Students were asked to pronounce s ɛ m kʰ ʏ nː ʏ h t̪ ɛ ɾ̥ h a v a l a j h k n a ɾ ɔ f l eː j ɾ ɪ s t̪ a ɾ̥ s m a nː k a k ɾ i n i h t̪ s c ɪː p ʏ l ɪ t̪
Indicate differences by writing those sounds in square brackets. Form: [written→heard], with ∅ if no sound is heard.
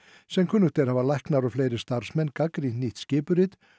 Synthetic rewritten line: s ɛ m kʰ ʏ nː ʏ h t̪ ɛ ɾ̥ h a v a l a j h k n a ɾ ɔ f l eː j ɾ ɪ s t̪ a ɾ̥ s m [a→ɛ] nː k a k ɾ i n i h t̪ s c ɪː p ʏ [l→ɾ] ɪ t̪